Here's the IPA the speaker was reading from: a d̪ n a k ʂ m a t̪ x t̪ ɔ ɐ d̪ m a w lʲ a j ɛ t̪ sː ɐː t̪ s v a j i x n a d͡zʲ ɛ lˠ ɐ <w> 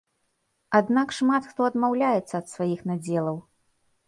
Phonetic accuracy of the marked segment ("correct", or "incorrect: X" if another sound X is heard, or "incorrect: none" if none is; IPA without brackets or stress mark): correct